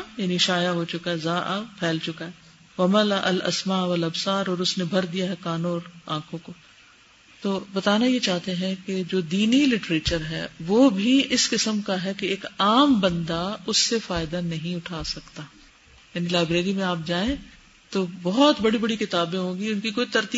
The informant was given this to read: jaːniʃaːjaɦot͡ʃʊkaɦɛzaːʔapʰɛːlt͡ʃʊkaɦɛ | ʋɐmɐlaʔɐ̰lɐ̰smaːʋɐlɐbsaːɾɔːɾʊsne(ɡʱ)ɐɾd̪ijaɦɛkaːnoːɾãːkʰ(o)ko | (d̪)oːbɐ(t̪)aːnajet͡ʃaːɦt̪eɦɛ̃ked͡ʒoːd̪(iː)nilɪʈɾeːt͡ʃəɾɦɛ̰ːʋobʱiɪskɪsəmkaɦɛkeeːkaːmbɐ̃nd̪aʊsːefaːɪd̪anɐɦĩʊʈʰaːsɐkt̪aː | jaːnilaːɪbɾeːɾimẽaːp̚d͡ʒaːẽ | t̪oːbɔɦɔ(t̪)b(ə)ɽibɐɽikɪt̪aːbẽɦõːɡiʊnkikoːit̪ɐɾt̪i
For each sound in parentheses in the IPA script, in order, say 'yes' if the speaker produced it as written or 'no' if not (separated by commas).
no, no, no, yes, yes, yes, no